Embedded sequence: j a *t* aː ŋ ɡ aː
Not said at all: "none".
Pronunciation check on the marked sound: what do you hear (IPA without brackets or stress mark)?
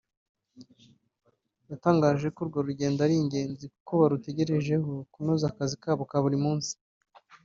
t